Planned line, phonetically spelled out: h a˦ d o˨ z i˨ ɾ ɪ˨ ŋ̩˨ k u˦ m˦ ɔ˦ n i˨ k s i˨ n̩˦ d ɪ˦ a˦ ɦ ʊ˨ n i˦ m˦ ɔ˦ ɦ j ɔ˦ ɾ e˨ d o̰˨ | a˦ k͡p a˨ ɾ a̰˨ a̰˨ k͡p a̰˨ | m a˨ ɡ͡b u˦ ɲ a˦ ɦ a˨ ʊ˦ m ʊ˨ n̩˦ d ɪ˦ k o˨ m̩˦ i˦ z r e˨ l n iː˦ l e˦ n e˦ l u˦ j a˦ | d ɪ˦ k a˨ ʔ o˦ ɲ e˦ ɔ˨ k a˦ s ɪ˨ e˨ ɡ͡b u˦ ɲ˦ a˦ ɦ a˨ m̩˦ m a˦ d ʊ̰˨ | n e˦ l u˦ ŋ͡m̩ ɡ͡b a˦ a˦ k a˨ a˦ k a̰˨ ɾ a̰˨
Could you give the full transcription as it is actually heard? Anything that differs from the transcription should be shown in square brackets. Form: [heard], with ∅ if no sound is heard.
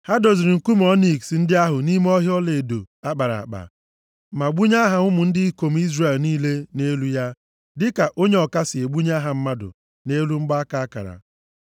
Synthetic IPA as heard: h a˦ d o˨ z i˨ ɾ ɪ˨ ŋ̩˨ k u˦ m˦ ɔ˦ n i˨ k s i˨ n̩˦ d ɪ˦ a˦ ɦ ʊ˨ n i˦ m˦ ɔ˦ ɦ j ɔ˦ [l] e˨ d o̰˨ | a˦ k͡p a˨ ɾ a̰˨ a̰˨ k͡p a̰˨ | m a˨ ɡ͡b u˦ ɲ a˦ ɦ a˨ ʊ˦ m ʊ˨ n̩˦ d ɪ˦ k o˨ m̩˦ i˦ z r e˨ l n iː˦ l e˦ n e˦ l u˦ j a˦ | d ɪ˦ k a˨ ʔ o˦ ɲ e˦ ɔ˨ k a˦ s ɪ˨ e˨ ɡ͡b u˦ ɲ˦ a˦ ɦ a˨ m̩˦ m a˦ d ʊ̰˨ | n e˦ l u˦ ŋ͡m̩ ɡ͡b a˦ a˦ k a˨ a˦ k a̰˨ ɾ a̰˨